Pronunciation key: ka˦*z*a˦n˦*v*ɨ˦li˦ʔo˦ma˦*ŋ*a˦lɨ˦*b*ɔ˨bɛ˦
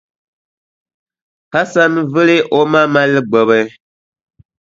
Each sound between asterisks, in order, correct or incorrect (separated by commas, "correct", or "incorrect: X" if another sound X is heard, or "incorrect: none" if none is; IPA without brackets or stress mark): incorrect: s, correct, incorrect: m, incorrect: ɡ͡b